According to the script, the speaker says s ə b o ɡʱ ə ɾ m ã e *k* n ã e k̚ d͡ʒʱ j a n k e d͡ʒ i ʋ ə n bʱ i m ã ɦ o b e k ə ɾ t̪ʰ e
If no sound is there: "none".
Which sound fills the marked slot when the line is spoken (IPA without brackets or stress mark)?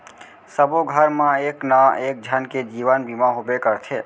k